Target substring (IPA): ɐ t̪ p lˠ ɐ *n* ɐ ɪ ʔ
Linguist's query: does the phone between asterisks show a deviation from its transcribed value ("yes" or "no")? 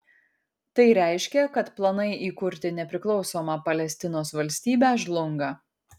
no